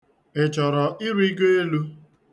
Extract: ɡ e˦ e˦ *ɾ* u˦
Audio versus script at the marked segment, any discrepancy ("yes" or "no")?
yes